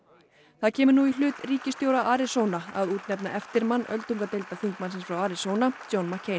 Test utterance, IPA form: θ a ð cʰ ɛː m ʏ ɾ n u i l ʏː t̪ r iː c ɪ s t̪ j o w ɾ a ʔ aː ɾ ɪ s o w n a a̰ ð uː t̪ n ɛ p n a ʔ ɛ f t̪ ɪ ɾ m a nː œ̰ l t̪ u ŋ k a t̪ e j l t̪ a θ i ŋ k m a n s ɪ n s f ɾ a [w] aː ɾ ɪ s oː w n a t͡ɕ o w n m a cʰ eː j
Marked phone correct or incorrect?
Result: correct